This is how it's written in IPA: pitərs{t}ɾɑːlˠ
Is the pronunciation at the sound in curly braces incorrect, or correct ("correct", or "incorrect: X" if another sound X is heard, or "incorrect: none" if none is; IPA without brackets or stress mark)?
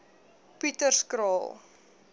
incorrect: k